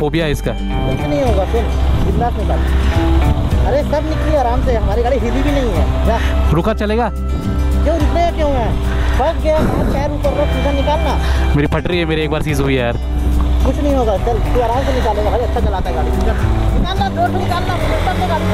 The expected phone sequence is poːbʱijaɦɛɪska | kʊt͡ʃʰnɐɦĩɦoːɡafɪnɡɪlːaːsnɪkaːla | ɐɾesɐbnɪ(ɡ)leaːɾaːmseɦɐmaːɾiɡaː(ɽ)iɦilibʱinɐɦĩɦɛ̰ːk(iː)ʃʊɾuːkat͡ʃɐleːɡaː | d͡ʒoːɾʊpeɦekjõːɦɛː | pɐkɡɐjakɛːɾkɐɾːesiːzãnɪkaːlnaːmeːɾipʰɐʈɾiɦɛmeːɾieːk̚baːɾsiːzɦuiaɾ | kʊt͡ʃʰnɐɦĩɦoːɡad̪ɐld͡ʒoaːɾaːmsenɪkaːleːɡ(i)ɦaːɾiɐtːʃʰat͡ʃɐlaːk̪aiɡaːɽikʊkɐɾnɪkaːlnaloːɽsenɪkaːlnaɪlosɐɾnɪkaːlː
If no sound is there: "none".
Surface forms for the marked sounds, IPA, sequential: k, ɽ, aː, a

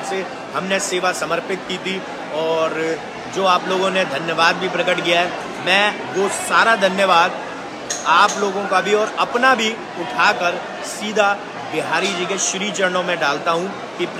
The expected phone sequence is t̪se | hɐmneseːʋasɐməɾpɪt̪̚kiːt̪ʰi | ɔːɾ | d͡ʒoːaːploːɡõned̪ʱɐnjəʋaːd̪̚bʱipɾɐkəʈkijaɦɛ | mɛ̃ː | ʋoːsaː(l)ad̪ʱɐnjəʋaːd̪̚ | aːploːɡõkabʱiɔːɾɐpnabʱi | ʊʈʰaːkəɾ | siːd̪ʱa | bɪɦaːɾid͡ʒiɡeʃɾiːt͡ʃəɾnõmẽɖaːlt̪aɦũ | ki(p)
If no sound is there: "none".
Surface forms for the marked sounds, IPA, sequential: ɾ, p

